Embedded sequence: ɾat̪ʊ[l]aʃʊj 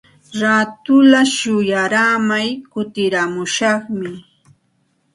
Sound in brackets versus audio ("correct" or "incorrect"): correct